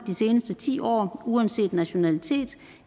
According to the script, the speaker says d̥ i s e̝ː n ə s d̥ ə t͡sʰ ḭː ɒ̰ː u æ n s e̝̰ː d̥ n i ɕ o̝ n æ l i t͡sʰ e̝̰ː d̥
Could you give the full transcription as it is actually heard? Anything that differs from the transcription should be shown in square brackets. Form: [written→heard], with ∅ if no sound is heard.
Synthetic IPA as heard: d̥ i s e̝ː n ə s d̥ ə t͡sʰ ḭː ɒ̰ː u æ n s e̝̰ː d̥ n [i→æ] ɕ o̝ n æ l i t͡sʰ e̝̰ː d̥